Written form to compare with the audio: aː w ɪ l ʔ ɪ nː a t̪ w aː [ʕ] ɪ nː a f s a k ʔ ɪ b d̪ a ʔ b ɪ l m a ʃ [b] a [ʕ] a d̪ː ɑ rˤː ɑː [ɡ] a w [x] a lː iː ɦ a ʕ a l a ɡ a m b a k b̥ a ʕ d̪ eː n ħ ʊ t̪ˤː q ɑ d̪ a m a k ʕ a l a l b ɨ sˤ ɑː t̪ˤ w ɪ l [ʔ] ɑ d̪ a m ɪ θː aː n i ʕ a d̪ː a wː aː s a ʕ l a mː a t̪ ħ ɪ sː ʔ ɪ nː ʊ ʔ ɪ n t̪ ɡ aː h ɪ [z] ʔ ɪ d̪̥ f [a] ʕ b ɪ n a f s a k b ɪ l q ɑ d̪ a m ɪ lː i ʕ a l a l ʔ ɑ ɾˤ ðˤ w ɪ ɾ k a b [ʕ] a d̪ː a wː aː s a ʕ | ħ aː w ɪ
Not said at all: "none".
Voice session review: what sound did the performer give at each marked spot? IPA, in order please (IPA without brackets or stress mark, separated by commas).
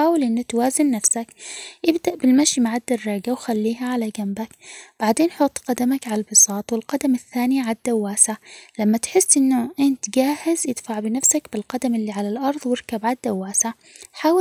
z, m, ʕ, ɡ, x, q, z, a, ʕ